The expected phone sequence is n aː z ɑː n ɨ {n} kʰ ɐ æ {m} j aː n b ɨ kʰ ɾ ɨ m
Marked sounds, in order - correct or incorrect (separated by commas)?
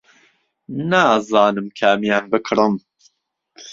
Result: incorrect, correct